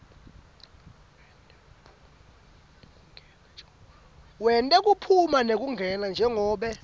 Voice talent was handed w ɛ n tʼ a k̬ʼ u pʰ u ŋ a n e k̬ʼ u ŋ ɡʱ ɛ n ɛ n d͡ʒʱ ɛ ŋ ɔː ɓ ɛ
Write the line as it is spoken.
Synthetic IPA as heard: w ɛ n tʼ ɛ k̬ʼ u pʰ u m a n e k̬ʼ u ŋ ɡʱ ɛ n a n d͡ʒʱ ɛ ŋ ɔː ɓ ɛ